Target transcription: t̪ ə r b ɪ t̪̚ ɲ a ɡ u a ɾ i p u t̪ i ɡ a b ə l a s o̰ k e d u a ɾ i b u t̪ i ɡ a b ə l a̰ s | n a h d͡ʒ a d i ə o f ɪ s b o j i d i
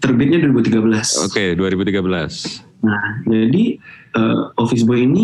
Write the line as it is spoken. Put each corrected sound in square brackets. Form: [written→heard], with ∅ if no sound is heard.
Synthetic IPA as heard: t̪ ə r b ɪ t̪̚ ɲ a [ɡ→d] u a ɾ i [p→b] u t̪ i ɡ a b ə l a s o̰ k e d u a ɾ i b u t̪ i ɡ a b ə l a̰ s | n a h d͡ʒ a d i ə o f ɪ s b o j i [d→n] i